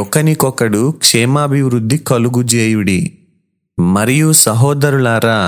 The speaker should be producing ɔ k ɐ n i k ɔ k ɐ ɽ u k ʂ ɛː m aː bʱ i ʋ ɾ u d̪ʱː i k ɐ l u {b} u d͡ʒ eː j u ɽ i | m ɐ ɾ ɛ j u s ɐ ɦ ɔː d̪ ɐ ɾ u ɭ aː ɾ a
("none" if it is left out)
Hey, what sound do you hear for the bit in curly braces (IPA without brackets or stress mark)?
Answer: ɡ